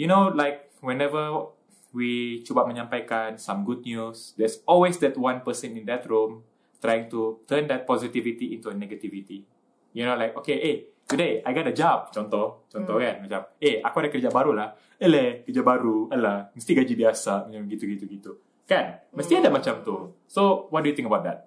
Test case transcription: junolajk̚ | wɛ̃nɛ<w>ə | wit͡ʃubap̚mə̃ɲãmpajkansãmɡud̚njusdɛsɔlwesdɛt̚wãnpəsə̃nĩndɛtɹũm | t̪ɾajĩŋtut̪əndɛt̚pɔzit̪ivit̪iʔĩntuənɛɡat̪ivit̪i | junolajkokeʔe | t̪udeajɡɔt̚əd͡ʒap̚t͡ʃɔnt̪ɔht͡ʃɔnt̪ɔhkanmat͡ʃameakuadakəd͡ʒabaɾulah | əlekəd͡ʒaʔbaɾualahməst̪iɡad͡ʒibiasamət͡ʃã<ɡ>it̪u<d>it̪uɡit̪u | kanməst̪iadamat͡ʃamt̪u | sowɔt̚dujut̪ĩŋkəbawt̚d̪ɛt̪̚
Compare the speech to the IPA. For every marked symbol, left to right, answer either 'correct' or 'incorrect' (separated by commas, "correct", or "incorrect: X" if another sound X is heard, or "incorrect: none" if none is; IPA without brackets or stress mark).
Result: incorrect: v, correct, incorrect: ɡ